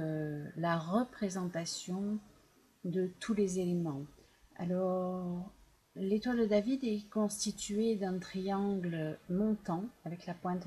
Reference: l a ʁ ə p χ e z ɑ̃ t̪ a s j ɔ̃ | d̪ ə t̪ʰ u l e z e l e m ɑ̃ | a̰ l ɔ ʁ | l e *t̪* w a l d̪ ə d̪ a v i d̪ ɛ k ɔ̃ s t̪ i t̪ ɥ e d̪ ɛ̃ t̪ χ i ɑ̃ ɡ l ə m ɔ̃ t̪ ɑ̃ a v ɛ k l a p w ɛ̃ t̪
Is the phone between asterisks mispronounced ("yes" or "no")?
no